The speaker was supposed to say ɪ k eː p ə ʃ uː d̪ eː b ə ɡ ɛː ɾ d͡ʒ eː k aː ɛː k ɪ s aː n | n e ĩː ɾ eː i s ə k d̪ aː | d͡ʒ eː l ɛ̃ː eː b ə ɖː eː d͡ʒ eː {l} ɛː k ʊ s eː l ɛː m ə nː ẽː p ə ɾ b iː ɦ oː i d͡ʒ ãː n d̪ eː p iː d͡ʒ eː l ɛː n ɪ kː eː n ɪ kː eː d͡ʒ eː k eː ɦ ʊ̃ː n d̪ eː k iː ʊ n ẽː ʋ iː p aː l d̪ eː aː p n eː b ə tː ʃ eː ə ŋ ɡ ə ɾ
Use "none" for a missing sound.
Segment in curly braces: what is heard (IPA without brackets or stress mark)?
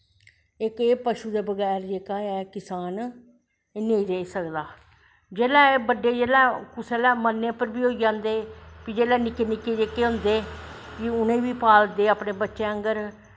l